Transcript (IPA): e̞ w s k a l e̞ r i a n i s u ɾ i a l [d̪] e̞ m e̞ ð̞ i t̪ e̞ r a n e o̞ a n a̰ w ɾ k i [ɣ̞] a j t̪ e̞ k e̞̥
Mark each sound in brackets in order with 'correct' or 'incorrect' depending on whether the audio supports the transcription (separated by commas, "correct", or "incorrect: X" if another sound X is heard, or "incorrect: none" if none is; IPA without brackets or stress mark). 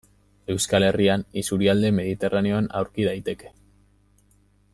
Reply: correct, incorrect: ð̞